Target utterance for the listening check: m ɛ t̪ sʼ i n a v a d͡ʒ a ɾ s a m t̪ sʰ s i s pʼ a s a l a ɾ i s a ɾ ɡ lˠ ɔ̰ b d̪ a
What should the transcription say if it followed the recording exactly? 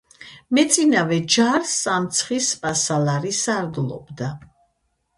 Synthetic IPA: m ɛ t̪ sʼ i n a v ɛ d͡ʒ a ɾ s a m t̪ sʰ χ i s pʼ a s a l a ɾ i s a ɾ ɡ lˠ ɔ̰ b d̪ a